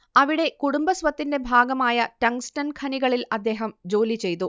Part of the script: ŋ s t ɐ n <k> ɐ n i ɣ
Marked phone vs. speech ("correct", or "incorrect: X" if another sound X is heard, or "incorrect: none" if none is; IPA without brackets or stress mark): incorrect: kʰ